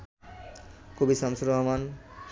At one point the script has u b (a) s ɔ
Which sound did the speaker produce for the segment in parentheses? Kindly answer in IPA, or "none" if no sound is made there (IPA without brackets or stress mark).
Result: i